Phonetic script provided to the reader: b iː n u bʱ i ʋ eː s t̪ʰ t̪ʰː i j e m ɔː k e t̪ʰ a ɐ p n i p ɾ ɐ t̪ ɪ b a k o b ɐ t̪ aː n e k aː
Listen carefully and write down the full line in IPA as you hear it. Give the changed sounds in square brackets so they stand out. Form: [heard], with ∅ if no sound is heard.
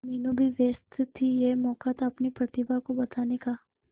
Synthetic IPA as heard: [m] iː n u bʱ i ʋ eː s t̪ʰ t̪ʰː i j e m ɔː k [a] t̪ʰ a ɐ p n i p ɾ ɐ t̪ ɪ b a k o b ɐ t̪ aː n e k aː